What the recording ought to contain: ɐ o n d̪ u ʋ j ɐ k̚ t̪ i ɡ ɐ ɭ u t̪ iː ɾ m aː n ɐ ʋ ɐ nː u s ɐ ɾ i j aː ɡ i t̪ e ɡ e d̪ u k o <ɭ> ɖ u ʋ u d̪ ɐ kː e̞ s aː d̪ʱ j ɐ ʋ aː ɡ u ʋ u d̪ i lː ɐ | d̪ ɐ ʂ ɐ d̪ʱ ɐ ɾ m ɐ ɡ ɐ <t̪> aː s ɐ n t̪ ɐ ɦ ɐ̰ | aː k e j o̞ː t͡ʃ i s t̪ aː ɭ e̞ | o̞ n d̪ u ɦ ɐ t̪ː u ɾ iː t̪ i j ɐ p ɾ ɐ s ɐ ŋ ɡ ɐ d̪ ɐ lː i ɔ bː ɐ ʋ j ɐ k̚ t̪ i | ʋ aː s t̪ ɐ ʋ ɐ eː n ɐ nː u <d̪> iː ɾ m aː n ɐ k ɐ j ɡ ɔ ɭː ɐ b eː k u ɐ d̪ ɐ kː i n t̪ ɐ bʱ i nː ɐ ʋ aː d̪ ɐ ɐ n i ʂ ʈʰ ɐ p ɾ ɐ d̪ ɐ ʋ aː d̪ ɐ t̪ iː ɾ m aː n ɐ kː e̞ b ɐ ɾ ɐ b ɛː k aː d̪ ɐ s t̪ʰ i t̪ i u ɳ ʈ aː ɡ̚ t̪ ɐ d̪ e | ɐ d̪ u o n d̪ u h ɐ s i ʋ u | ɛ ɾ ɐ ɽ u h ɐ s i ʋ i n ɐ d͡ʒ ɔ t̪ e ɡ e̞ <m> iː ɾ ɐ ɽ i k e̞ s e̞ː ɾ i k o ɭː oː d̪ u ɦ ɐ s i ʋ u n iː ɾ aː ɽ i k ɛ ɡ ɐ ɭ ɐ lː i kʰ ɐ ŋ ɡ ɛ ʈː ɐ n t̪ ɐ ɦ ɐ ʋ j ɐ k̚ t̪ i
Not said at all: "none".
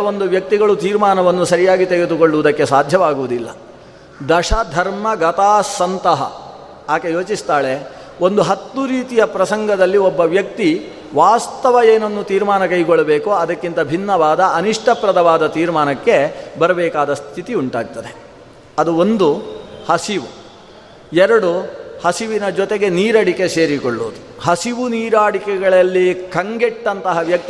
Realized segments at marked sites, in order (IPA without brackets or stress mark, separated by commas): ɭ, t̪, t̪, n